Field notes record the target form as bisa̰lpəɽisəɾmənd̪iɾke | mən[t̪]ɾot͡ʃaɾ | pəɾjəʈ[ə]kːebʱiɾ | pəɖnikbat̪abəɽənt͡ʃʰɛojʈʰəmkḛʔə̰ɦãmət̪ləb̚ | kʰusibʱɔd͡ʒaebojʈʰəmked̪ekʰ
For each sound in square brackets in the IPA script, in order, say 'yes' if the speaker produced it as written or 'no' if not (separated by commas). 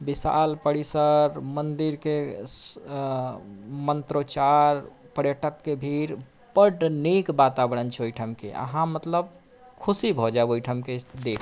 yes, yes